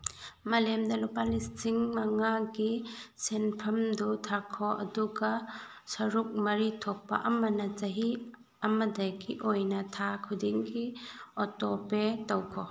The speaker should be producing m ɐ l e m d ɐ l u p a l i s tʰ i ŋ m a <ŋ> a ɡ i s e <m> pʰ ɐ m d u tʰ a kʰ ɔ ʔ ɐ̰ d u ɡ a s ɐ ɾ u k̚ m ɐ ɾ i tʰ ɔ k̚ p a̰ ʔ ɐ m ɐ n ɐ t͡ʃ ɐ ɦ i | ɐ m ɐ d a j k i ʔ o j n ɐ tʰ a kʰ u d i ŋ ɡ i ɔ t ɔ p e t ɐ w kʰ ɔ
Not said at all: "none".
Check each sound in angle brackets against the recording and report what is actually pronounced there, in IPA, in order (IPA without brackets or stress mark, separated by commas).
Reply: ŋ, n